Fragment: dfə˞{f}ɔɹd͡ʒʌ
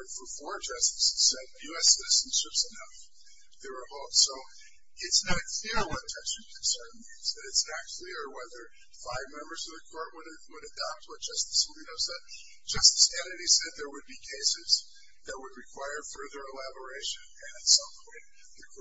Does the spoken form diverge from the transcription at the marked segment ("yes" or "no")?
no